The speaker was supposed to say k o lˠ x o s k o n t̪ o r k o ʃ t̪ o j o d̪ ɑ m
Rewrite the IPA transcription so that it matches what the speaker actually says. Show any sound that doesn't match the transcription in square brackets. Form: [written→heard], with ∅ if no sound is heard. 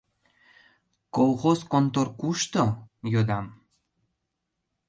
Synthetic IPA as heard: k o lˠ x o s k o n t̪ o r k [o→u] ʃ t̪ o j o d̪ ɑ m